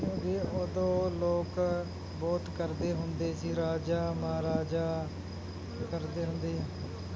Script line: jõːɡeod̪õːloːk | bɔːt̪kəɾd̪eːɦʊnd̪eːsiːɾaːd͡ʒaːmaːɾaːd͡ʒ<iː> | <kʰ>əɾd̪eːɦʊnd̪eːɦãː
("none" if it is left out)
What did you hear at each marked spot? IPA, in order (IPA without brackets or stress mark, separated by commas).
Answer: aː, k